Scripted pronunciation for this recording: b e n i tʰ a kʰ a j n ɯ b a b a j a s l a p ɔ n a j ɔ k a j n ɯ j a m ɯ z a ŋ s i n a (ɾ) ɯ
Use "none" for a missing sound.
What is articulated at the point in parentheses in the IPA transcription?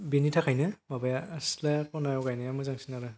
ɾ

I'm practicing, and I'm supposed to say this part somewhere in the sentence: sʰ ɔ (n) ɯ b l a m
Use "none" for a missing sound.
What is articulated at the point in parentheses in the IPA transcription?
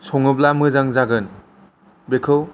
ŋ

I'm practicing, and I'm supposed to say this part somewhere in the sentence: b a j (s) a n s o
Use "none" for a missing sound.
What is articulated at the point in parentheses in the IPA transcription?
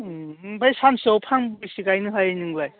s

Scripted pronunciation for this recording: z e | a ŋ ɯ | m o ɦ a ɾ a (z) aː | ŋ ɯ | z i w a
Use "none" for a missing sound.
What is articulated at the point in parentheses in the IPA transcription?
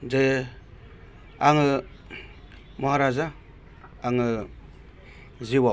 z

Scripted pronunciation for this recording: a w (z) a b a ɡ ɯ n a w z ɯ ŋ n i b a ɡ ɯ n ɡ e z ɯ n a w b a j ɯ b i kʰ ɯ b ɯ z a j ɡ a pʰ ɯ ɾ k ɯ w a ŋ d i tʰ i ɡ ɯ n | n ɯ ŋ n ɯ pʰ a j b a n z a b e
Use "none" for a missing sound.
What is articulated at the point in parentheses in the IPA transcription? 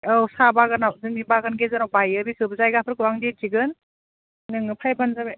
s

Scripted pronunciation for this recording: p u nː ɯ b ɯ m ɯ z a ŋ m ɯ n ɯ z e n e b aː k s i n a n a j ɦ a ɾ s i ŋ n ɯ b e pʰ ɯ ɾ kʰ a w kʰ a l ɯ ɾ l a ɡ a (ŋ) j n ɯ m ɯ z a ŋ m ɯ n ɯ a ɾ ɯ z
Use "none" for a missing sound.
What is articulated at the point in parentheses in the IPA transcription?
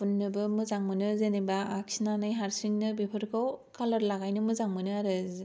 none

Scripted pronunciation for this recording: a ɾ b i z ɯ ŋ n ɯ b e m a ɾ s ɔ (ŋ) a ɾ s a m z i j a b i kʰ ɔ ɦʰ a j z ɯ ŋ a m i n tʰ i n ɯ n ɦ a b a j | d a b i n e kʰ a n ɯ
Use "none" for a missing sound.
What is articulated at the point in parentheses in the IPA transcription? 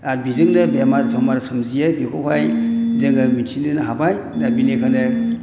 m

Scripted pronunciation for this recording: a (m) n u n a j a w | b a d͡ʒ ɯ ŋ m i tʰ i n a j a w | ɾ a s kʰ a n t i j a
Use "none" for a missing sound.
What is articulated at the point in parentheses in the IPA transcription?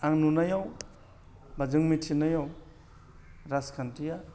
ŋ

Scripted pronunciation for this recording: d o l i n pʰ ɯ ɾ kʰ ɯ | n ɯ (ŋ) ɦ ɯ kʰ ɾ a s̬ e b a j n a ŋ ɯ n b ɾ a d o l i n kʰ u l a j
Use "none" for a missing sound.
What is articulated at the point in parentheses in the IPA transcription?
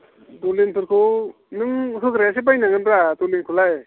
ŋ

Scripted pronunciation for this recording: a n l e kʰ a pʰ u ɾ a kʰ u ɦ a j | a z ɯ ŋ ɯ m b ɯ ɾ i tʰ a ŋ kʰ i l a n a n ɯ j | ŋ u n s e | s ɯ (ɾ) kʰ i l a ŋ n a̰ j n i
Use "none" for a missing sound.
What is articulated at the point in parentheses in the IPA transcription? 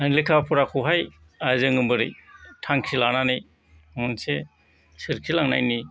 ɾ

